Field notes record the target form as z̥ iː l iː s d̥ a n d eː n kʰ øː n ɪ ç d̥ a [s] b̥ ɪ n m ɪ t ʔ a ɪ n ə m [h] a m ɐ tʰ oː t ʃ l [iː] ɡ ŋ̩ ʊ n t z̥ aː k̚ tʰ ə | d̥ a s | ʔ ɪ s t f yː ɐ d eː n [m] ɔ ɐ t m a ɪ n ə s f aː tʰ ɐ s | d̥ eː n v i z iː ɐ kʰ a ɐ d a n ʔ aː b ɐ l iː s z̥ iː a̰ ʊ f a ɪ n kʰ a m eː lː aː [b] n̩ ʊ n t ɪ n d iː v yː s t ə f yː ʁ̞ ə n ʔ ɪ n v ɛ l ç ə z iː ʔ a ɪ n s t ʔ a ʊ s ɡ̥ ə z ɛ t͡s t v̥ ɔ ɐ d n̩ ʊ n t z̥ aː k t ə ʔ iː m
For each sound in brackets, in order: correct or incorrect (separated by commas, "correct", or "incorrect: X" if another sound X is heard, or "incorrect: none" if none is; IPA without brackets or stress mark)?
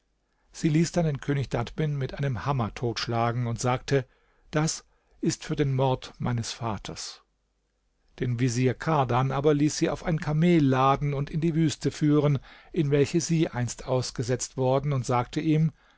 incorrect: t, correct, incorrect: aː, correct, incorrect: d